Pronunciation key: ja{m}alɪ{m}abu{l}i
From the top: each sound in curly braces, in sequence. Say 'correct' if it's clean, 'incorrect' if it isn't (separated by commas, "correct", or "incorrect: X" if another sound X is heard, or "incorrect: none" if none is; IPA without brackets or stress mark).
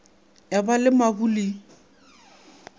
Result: incorrect: b, correct, correct